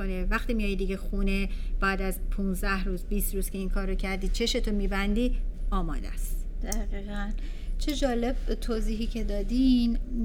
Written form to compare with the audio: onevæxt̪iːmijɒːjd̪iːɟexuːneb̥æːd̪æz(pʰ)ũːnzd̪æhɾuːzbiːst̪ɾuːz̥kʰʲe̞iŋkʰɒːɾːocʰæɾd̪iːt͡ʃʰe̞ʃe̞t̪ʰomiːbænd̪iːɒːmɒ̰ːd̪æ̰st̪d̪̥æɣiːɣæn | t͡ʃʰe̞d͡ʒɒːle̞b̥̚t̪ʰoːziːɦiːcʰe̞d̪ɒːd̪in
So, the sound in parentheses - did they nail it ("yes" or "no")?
yes